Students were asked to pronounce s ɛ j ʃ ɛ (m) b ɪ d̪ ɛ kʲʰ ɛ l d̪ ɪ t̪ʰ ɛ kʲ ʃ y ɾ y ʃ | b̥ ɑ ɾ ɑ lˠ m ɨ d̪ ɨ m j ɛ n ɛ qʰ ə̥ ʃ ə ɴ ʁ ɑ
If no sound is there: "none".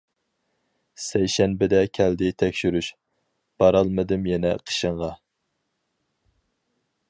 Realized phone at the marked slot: n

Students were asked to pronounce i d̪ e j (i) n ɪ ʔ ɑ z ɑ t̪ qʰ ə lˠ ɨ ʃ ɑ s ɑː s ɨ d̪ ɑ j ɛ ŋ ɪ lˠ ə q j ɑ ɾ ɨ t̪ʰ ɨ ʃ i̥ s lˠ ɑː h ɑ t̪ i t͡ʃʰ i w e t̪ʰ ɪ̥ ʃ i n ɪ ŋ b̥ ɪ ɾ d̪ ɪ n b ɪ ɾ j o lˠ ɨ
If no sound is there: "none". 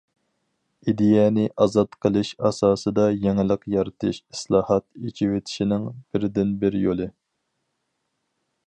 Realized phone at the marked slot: ɛ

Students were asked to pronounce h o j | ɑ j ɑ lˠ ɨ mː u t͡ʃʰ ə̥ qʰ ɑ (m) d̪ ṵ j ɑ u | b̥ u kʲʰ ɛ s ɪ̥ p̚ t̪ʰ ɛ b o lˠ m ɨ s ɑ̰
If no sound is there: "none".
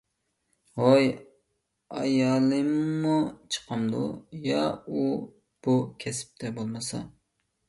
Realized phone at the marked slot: m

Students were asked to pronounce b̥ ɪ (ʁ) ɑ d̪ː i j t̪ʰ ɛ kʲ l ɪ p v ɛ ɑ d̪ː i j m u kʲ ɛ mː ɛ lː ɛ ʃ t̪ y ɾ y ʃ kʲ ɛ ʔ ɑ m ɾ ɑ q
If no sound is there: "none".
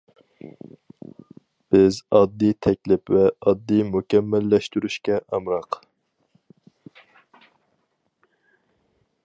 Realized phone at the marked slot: z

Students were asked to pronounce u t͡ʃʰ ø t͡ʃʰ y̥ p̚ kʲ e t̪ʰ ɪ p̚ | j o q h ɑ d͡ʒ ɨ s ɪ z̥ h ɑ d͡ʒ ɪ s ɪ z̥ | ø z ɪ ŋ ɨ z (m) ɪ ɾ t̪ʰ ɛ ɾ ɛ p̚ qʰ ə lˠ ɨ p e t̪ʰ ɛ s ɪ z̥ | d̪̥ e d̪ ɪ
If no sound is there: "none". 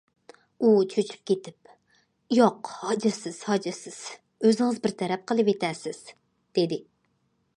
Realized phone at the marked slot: b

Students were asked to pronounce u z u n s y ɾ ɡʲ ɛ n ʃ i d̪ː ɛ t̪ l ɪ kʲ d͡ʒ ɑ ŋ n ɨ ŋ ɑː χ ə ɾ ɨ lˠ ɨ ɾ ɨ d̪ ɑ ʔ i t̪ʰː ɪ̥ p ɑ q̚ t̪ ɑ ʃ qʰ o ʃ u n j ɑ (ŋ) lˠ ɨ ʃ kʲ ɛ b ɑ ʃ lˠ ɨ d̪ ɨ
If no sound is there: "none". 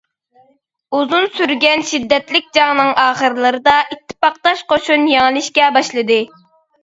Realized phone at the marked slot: ŋ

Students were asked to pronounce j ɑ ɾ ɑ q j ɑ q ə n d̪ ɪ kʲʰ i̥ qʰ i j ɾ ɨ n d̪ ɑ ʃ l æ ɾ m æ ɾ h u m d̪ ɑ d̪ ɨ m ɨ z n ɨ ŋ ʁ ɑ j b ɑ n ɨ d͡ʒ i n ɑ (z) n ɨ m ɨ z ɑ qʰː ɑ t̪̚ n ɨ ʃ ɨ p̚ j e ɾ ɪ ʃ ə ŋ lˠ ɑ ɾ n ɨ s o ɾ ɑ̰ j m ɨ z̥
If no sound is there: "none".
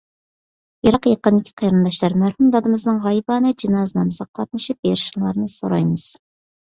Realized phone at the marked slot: z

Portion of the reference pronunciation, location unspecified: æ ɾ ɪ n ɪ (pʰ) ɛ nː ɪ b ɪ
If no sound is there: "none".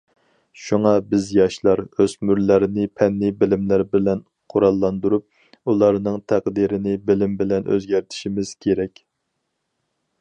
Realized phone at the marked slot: pʰ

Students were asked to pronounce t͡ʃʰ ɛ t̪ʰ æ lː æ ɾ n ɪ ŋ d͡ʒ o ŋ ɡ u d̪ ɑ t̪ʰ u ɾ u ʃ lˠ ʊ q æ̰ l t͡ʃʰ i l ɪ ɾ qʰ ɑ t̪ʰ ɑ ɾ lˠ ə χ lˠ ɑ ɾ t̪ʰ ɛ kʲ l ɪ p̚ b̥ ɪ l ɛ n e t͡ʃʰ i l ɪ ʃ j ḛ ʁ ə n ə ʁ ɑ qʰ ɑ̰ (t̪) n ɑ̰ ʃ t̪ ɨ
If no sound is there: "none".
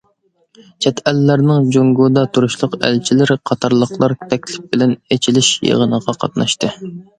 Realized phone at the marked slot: t̪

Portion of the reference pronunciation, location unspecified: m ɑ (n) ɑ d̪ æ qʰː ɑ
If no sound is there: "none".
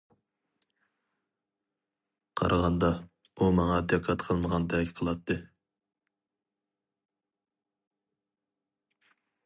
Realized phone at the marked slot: ŋ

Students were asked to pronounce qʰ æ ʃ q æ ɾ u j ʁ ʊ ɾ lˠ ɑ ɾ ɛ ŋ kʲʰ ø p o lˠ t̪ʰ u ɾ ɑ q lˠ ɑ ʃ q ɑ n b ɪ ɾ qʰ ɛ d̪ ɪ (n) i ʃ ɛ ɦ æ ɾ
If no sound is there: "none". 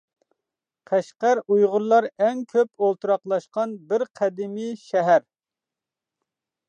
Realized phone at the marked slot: m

